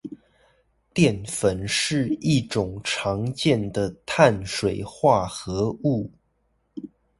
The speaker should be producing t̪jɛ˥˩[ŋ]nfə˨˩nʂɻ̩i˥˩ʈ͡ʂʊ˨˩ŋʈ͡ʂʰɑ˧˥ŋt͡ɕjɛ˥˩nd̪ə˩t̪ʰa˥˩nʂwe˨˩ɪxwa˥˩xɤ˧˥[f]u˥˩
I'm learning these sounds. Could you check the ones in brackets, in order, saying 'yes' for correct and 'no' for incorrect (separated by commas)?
no, no